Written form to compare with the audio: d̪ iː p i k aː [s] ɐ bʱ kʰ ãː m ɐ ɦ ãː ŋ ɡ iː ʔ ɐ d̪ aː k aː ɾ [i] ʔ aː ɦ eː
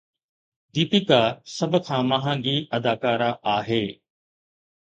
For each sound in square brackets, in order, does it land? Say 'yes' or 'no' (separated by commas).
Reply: yes, no